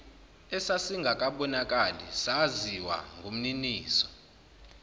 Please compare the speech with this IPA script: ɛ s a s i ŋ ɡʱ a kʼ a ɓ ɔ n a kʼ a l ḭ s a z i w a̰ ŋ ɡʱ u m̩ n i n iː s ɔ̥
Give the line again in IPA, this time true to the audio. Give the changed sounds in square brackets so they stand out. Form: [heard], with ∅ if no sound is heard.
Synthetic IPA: ɛ s a s i ŋ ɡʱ a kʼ a ɓ ɔ n a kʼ a l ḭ s a z i w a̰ ŋ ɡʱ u m̩ n i n iː s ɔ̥